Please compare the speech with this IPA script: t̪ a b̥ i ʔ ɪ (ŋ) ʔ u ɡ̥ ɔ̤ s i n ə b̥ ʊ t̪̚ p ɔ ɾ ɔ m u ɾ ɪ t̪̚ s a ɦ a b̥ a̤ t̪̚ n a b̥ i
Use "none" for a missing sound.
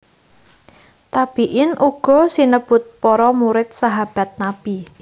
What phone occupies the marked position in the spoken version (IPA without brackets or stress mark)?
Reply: n